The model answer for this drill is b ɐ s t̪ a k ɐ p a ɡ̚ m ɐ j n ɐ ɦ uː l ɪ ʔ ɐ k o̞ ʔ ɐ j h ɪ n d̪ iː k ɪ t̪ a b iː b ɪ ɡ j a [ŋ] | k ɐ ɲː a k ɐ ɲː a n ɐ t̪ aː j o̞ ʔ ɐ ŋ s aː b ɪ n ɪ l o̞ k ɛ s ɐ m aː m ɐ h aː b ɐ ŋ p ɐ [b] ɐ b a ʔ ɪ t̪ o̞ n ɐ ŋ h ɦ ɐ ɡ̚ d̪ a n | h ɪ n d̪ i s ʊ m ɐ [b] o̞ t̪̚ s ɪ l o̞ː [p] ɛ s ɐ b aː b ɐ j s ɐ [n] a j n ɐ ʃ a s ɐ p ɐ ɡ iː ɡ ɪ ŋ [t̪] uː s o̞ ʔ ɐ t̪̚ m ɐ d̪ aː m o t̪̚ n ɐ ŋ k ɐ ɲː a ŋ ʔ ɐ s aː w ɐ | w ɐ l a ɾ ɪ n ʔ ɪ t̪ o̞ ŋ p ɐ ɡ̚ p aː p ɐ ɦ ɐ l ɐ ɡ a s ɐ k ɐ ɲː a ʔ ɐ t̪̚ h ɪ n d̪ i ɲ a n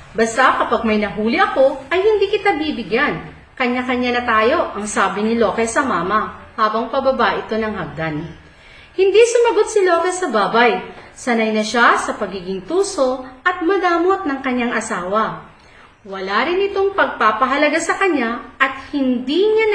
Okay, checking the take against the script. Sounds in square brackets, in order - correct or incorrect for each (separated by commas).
incorrect, correct, incorrect, incorrect, correct, correct